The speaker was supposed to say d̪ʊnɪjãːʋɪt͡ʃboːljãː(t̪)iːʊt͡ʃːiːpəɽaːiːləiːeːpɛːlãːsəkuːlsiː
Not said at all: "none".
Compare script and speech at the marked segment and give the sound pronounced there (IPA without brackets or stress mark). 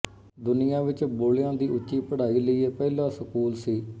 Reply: d̪